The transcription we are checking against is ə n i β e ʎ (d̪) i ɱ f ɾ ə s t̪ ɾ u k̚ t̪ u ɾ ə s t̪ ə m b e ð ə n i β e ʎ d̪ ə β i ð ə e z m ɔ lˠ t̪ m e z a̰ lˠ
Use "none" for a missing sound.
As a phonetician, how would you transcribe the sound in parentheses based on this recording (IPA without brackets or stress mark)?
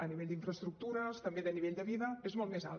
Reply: d̪